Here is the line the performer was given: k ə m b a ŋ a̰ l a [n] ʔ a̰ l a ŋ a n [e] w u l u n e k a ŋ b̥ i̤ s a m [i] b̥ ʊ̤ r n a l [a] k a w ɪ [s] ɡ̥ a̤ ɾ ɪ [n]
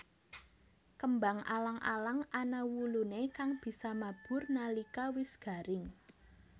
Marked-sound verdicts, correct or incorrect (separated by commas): incorrect, incorrect, incorrect, incorrect, correct, incorrect